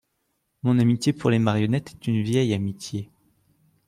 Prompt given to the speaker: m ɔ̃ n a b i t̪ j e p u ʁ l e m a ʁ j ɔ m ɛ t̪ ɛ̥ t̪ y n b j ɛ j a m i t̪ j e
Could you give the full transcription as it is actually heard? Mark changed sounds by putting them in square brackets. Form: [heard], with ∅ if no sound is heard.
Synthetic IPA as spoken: m ɔ̃ n a [m] i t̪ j e p u ʁ l e m a ʁ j ɔ [n] ɛ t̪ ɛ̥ t̪ y n [v] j ɛ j a m i t̪ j e